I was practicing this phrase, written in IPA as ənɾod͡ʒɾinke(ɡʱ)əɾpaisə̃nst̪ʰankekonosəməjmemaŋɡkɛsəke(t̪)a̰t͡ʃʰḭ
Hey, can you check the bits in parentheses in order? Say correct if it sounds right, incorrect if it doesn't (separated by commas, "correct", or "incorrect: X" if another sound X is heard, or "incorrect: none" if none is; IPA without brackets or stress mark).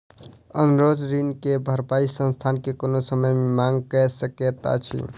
incorrect: bʱ, correct